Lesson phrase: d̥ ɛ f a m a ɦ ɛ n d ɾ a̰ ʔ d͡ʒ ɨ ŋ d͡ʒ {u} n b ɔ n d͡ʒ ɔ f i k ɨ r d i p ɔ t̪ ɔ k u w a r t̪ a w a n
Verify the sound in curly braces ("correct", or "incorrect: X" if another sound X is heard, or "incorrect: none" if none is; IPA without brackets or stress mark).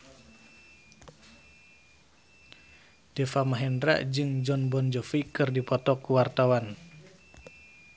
incorrect: ɔ